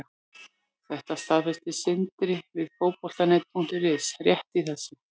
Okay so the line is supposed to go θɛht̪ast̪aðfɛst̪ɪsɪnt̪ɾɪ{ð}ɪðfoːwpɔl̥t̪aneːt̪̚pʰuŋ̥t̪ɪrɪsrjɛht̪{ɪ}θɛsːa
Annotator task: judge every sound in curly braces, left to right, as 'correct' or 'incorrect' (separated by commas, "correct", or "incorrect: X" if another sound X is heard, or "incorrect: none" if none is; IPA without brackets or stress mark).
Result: incorrect: v, incorrect: i